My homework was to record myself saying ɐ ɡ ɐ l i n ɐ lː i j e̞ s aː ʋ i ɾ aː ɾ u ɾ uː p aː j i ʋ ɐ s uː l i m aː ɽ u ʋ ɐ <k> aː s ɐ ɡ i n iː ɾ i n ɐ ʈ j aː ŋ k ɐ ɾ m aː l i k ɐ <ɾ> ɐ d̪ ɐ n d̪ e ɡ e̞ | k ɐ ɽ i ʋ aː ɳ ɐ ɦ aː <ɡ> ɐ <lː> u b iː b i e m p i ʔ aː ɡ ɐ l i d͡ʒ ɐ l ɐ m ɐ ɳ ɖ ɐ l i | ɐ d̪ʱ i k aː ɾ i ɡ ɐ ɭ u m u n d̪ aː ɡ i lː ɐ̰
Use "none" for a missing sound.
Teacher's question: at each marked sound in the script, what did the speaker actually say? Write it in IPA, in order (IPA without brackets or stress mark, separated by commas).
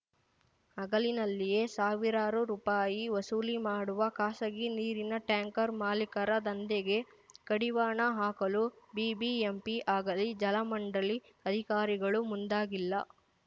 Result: k, ɾ, k, l